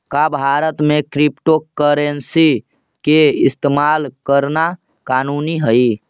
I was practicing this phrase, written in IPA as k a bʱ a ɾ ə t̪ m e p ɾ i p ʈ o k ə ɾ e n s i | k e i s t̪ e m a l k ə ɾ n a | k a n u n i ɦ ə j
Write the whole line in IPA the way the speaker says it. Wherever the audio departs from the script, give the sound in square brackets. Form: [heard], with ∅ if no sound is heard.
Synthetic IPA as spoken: k a bʱ a ɾ ə t̪ m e [k] ɾ i p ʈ o k ə ɾ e n s i | k e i s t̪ e m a l k ə ɾ n a | k a n u n i ɦ ə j